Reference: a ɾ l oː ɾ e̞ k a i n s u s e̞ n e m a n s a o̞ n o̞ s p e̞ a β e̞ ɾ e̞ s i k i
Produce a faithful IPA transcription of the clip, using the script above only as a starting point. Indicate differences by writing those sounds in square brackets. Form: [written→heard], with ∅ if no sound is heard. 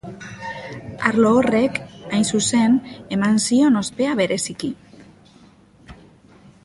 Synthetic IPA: a ɾ l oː [ɾ→r] e̞ k a [i→j] n s u s e̞ n e m a n s [a→i] o̞ n o̞ s p e̞ a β e̞ ɾ e̞ s i k i